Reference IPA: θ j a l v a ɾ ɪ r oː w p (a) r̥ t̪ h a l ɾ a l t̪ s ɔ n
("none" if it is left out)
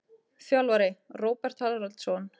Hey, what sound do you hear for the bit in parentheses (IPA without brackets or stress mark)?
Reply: ɛ